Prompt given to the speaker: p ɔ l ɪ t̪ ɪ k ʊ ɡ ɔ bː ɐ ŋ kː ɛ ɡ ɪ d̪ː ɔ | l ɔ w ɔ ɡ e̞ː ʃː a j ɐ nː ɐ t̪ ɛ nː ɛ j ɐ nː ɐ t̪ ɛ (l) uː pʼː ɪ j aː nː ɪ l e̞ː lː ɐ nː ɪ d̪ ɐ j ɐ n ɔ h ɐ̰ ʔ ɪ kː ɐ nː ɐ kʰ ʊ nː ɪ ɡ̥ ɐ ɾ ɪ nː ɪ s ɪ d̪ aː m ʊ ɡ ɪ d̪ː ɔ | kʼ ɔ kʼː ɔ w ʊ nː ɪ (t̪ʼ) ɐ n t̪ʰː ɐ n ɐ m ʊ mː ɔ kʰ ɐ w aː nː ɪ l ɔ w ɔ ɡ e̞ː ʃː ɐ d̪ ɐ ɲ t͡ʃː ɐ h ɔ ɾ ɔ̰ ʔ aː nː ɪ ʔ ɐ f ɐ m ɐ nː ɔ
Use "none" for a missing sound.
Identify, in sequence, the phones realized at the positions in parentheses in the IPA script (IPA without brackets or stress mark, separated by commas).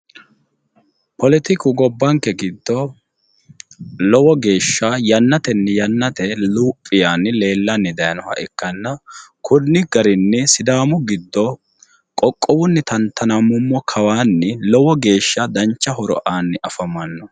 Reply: l, t̪